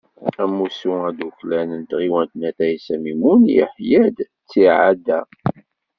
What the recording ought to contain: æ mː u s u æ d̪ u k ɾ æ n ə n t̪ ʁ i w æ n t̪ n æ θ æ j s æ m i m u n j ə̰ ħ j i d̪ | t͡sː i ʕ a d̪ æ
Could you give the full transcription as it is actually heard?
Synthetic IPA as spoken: æ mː u s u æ d̪ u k l æ n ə n t̪ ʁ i w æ n t̪ n æ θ æ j s æ m i m u n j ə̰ ħ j æ d̪ | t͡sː i ʕ a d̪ æ